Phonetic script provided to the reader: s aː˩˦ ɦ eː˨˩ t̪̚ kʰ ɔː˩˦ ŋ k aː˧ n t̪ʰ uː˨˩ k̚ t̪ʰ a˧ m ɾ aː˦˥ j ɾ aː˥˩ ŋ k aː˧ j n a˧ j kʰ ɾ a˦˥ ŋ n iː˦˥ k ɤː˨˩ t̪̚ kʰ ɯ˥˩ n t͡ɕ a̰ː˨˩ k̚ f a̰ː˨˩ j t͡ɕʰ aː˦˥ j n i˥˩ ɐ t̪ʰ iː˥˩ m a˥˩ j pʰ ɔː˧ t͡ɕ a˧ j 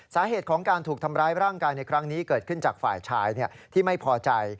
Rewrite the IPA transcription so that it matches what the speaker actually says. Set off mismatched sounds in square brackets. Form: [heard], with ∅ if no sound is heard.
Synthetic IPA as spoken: s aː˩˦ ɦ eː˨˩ t̪̚ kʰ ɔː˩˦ ŋ k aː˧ n t̪ʰ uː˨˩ k̚ t̪ʰ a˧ m ɾ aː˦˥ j ɾ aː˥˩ ŋ k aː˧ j n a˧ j kʰ ɾ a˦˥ ŋ n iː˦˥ k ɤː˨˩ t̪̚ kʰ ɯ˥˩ n t͡ɕ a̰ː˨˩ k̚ f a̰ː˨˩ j t͡ɕʰ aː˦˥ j n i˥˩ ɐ t̪ʰ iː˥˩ m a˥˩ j pʰ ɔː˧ t͡ɕ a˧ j